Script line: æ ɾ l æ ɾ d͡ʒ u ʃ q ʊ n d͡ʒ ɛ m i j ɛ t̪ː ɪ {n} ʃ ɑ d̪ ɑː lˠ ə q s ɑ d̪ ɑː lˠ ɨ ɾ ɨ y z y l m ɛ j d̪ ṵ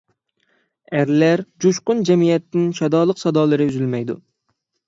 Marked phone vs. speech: correct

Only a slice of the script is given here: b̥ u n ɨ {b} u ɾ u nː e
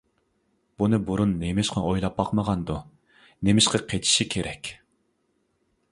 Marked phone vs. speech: correct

